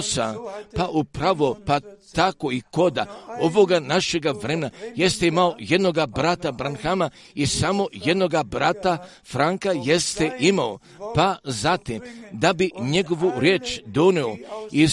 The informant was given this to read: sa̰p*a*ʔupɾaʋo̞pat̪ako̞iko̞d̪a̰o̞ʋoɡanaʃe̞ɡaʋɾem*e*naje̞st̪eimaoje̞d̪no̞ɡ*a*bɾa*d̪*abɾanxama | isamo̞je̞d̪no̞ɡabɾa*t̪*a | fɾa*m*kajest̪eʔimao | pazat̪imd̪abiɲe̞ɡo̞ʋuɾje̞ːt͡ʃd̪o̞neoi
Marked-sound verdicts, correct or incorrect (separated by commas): correct, correct, correct, incorrect, correct, incorrect